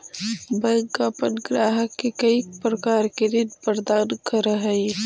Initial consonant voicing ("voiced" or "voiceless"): voiced